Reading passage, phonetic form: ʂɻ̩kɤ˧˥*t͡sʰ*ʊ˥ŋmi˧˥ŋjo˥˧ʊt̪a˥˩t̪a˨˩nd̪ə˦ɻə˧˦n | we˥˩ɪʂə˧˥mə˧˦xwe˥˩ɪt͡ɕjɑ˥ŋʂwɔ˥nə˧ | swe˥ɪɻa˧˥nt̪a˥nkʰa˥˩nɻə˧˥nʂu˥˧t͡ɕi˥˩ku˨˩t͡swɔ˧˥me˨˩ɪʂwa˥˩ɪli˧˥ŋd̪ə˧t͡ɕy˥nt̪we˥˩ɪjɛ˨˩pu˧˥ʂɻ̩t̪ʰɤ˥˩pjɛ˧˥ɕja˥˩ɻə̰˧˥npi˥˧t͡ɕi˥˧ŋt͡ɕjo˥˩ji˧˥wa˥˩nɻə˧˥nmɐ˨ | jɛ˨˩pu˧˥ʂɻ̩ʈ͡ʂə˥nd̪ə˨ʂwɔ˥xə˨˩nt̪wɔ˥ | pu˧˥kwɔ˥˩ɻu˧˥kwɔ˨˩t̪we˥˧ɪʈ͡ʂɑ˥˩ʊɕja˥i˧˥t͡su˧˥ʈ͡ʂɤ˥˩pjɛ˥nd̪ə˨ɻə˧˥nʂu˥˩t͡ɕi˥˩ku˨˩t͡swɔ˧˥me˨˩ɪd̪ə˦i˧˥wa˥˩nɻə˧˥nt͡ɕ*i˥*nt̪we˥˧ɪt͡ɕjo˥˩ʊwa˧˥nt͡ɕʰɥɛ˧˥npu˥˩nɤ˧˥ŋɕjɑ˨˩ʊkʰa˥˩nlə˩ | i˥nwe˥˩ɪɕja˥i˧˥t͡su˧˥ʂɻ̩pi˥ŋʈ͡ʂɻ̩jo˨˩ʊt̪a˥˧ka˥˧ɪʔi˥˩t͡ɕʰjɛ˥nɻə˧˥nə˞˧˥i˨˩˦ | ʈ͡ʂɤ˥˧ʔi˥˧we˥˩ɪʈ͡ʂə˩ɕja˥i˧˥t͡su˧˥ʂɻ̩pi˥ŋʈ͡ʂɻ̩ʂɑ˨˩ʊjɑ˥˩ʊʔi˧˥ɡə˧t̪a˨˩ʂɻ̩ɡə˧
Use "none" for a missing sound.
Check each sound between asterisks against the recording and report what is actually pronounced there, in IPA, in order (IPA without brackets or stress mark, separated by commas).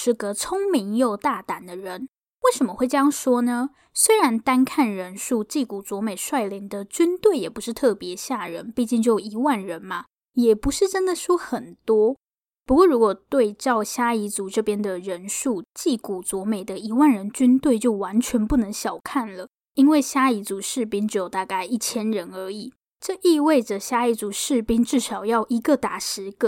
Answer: t͡sʰ, y˥